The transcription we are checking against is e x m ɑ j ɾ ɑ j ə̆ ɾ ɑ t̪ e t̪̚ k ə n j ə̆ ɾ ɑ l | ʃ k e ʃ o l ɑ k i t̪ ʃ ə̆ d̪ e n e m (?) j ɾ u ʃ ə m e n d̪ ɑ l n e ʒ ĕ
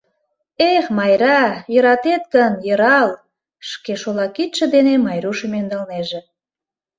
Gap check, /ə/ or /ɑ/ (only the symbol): ɑ